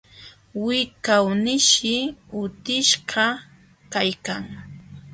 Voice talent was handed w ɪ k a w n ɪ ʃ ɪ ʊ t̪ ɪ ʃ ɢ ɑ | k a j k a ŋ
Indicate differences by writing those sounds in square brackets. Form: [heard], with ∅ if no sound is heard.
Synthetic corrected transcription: w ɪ k a w n ɪ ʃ ɪ ʊ t̪ ɪ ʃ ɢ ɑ | k a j k a ŋ